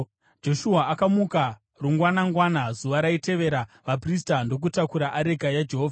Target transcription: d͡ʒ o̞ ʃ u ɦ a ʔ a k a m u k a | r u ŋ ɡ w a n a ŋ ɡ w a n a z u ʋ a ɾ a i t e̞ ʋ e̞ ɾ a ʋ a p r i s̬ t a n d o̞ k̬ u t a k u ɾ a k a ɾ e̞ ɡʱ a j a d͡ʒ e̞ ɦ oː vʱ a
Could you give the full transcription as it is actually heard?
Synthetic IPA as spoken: d͡ʒ o̞ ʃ u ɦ a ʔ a k a m u k a | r u ŋ ɡ w a n a ŋ ɡ w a n a z u ʋ a ɾ a i t e̞ ʋ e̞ ɾ a ʋ a p r i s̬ t a n d o̞ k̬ u t a k u ɾ a ʔ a ɾ e̞ ɡʱ a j a d͡ʒ e̞ ɦ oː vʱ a